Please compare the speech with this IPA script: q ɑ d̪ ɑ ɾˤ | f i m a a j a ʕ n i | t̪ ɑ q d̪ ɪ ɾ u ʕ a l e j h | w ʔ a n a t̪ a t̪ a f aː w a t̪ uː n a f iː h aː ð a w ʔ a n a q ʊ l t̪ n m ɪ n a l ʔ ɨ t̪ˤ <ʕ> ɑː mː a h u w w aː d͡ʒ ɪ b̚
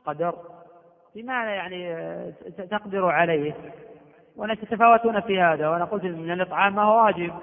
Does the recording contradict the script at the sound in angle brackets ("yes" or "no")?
no